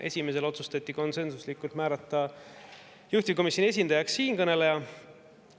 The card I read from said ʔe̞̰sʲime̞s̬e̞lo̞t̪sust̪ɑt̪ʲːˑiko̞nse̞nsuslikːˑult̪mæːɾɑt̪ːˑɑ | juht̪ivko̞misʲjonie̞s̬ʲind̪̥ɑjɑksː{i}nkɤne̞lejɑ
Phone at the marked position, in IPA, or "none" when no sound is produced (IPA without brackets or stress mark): iː